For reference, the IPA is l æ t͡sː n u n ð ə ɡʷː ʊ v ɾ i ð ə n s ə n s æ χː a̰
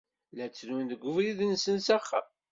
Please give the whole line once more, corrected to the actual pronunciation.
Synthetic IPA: l æ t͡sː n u n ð ə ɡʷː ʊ v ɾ i ð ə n s ə n s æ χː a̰